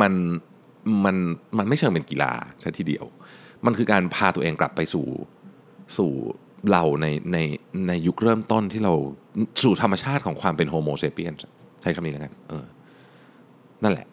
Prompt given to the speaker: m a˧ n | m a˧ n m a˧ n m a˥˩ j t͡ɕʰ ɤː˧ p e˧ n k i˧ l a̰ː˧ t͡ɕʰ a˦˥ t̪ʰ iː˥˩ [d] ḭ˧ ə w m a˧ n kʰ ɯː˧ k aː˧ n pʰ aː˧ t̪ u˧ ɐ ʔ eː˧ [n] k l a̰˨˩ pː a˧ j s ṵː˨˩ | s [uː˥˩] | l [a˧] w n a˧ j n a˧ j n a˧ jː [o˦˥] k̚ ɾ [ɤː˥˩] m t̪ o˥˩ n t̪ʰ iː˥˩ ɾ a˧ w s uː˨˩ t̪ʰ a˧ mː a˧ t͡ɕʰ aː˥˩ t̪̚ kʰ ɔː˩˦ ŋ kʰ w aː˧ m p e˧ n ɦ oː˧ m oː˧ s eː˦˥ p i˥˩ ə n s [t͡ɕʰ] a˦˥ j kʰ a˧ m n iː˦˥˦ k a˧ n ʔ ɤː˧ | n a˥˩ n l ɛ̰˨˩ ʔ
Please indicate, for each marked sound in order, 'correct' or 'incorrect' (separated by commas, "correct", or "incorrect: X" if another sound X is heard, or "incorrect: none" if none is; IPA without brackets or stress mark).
correct, incorrect: ŋ, incorrect: uː˨˩, correct, incorrect: u˦˥, correct, correct